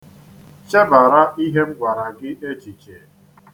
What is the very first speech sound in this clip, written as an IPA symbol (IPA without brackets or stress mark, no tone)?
t͡ʃ